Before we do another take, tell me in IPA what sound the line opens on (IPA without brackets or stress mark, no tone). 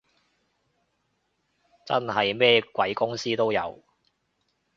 t͡s